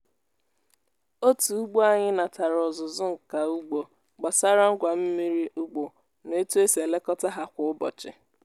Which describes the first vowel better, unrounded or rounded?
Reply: rounded